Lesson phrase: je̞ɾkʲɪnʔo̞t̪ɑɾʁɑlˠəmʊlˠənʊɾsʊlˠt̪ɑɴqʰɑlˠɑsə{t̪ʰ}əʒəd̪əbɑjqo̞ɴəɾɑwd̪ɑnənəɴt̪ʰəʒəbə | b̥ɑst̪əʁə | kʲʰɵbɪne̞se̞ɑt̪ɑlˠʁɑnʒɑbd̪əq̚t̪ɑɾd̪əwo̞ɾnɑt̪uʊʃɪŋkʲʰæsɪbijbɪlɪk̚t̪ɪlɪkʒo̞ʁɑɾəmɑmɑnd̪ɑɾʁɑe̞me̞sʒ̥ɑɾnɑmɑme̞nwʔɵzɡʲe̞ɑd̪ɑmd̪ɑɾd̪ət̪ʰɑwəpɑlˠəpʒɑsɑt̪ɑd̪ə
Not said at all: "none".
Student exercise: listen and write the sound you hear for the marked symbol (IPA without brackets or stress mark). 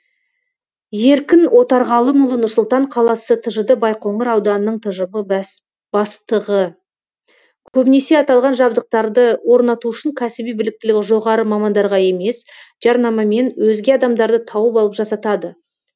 t̪ʰ